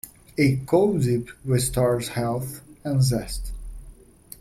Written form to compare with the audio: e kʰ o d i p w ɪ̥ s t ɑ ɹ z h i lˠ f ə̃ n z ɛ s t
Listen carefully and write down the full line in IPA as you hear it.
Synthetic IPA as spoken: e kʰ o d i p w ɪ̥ s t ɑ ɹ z h ɛ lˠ θ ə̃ n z ɛ s t